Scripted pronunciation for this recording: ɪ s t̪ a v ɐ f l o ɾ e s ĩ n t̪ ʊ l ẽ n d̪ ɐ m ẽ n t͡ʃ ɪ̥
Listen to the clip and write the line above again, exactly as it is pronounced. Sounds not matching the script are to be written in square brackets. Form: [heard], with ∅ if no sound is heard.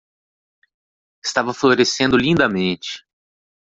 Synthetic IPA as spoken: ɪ s t̪ a v ɐ f l o ɾ e s [ẽ] n [d̪] ʊ l [ĩ] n d̪ ɐ m ẽ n t͡ʃ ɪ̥